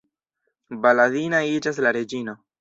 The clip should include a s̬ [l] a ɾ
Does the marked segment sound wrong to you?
no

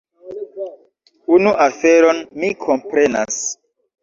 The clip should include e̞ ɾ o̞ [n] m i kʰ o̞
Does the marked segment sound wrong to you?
no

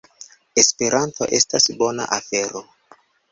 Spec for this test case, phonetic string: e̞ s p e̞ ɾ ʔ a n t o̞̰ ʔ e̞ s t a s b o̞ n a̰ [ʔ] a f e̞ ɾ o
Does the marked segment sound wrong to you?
no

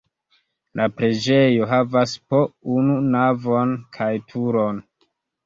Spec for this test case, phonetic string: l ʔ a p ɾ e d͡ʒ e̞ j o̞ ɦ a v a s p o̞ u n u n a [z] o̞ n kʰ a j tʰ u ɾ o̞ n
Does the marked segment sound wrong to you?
yes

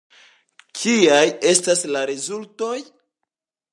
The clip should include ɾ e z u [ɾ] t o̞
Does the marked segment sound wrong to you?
yes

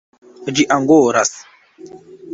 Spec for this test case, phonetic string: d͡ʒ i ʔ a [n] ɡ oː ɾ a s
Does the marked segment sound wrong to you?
yes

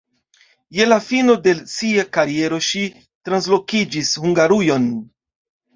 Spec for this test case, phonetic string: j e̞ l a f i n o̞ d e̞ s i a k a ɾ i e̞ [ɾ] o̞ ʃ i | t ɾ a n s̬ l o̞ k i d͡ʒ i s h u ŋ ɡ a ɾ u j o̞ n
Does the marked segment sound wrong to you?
no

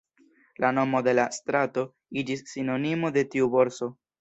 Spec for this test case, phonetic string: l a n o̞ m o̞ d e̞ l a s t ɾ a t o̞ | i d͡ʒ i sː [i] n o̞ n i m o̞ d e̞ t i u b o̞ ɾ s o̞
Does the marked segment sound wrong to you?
no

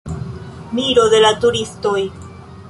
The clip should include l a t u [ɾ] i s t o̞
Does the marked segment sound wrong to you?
no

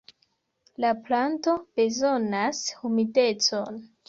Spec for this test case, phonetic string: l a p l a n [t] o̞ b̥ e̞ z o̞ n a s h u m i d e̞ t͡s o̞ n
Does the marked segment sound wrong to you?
no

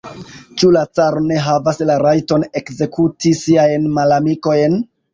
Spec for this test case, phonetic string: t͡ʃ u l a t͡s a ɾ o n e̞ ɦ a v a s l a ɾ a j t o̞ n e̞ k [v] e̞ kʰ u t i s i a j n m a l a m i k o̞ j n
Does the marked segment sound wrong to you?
yes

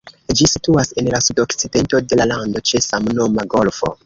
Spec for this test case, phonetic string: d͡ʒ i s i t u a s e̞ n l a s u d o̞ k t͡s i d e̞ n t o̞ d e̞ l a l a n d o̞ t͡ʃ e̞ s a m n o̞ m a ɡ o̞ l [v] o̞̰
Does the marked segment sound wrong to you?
yes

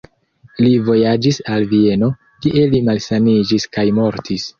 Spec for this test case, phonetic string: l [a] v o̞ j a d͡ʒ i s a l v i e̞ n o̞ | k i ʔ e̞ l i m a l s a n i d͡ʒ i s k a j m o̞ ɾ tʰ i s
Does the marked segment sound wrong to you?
yes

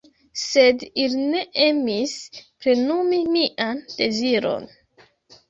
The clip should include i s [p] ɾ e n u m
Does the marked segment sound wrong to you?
no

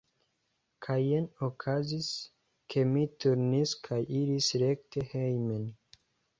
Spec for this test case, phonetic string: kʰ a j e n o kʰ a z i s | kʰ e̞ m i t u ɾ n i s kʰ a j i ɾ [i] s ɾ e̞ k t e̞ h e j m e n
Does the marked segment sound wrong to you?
no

